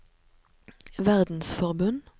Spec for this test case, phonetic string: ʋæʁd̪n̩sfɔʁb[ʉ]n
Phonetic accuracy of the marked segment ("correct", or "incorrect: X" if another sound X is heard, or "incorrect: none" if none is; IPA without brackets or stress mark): correct